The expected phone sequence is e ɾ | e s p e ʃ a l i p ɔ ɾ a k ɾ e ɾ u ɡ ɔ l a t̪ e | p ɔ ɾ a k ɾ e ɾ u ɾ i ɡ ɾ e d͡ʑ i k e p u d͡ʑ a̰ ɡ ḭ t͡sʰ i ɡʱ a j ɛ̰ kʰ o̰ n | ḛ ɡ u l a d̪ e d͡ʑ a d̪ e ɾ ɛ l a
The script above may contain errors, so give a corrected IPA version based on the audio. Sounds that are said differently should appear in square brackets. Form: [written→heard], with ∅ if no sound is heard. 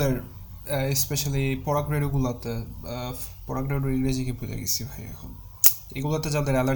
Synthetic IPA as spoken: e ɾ | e s p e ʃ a l i p ɔ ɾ a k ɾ e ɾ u ɡ [ɔ→u] l a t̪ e | p ɔ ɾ a k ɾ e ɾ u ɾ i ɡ ɾ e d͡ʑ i k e p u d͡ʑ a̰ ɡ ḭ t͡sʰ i [ɡʱ→bʱ] a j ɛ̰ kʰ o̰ n | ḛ ɡ u l a [d̪→t̪] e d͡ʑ a d̪ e ɾ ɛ l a